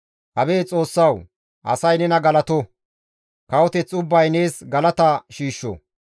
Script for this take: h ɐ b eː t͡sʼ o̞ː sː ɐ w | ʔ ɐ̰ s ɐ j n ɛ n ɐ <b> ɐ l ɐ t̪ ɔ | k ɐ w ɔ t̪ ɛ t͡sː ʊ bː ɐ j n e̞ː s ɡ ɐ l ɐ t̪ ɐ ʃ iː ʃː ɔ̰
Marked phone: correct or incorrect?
incorrect